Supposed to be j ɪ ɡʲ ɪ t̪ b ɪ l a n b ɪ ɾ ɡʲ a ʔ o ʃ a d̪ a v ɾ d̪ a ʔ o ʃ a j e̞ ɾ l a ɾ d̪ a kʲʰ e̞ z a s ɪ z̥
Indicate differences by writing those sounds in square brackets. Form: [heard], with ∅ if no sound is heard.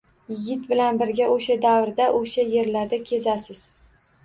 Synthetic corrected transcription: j ɪ ɡʲ ɪ t̪ b ɪ l a n b ɪ ɾ ɡʲ a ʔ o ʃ a d̪ a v ɾ d̪ a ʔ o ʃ a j e̞ ɾ l a ɾ d̪ a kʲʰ e̞ z a s ɪ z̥